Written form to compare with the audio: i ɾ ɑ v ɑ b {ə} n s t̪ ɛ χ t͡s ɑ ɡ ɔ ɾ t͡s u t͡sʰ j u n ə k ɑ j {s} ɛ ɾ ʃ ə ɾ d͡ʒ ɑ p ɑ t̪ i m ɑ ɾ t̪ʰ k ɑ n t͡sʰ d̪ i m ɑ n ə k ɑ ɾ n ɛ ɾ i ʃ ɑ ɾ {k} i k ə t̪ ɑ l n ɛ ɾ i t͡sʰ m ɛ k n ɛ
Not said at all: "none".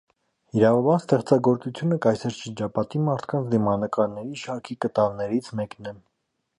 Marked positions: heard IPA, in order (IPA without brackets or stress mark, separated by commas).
ɑ, s, kʰ